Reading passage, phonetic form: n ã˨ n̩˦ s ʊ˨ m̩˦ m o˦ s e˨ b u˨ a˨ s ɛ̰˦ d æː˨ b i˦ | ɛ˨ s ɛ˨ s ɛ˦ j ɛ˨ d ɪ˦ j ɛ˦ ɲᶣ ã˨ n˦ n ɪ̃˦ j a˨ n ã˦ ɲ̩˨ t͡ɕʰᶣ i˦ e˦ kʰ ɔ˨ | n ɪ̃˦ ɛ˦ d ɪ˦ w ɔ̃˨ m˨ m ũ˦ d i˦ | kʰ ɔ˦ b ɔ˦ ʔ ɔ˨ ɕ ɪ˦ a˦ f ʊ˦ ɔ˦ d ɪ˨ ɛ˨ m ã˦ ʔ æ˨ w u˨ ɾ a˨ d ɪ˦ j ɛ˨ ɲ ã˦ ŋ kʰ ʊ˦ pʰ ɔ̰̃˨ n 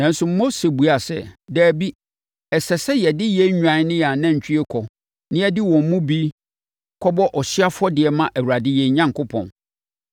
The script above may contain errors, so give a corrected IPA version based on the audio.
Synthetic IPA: n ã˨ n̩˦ s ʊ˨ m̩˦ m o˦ s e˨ b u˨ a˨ s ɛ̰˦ d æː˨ b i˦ | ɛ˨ s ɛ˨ s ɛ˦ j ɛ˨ d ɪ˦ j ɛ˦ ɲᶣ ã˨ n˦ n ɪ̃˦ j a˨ n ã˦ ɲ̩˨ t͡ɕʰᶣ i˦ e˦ kʰ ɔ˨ | n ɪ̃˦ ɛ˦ d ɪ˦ w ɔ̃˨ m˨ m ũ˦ b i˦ | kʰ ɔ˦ b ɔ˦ ʔ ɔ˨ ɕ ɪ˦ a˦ f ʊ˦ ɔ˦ d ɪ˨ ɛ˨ m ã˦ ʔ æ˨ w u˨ ɾ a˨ d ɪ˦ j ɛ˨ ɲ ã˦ ŋ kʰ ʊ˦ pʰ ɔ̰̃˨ n